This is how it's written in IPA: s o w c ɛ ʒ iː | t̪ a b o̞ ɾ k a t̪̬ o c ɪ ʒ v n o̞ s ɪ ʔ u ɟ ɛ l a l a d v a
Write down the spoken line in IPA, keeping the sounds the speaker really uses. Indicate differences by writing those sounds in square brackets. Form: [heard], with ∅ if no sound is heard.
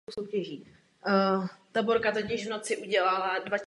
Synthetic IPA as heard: s o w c ɛ ʒ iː | t̪ a b o̞ ɾ k a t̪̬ o c ɪ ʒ v n o̞ [t͡s] ɪ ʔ u ɟ ɛ l a l a d v a